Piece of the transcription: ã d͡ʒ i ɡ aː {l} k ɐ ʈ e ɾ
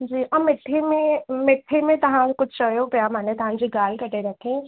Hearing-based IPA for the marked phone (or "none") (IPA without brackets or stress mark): l